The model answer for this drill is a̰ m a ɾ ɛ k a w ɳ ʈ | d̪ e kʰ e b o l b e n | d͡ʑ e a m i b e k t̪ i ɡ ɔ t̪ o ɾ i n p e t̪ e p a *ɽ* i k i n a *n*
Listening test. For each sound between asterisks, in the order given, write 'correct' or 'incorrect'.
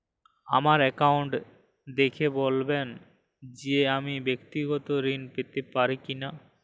incorrect, incorrect

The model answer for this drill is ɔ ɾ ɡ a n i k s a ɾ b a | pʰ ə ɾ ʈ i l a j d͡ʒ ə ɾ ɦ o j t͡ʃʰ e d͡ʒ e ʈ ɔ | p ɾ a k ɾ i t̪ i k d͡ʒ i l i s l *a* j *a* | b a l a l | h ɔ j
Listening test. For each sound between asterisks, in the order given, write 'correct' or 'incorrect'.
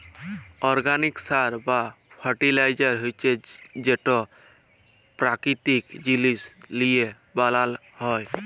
incorrect, incorrect

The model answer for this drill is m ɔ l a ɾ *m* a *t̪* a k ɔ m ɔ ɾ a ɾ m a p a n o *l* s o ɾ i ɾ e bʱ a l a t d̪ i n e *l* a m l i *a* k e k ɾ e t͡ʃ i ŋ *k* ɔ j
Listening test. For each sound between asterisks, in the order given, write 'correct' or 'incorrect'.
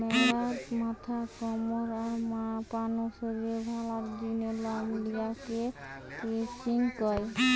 correct, incorrect, incorrect, correct, correct, correct

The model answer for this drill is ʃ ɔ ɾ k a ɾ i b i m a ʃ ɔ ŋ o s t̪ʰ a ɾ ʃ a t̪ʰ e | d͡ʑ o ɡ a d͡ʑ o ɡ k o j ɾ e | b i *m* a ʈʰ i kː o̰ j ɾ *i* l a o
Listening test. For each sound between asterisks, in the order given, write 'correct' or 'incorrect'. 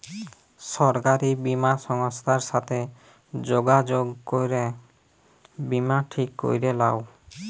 correct, incorrect

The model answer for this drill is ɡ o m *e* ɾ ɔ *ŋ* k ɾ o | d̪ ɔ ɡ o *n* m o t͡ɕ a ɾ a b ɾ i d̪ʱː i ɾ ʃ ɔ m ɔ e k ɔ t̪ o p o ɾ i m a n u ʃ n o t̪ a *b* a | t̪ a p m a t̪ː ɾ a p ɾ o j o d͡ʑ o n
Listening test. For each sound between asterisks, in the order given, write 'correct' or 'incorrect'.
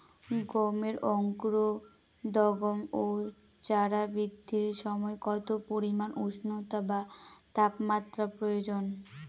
correct, correct, incorrect, correct

